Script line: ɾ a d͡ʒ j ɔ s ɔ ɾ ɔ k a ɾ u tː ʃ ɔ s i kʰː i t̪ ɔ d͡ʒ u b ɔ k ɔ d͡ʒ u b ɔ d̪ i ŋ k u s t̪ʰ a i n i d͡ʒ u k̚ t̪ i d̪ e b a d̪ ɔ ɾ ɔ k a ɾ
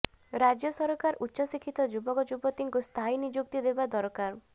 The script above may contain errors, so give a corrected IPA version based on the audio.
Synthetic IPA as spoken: ɾ a d͡ʒ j ɔ s ɔ ɾ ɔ k a ɾ u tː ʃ ɔ s i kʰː i t̪ ɔ d͡ʒ u b ɔ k ɔ d͡ʒ u b ɔ t̪ i ŋ k u s t̪ʰ a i n i d͡ʒ u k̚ t̪ i d̪ e b a d̪ ɔ ɾ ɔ k a ɾ